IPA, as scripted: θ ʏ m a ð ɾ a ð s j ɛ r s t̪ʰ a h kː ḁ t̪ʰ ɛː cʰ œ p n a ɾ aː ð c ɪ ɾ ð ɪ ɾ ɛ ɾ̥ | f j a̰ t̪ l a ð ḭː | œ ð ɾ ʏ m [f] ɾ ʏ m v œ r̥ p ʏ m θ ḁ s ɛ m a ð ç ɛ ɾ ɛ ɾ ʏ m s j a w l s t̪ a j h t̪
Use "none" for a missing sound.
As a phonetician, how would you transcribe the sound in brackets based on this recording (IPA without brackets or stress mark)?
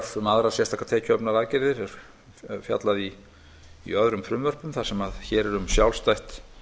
f